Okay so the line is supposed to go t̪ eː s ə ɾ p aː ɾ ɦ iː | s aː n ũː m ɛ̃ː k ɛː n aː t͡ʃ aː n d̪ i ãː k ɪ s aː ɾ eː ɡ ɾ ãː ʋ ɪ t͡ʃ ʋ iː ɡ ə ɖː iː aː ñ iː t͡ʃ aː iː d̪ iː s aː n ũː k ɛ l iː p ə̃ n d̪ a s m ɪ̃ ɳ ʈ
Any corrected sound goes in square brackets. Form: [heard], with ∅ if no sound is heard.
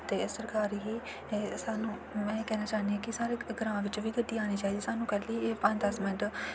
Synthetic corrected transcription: t̪ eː s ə ɾ [k] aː ɾ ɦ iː | s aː n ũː m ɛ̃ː k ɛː n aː t͡ʃ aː n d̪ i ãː k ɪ s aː ɾ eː ɡ ɾ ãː ʋ ɪ t͡ʃ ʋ iː ɡ ə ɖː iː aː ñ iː t͡ʃ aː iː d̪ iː s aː n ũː k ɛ l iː p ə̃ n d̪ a s m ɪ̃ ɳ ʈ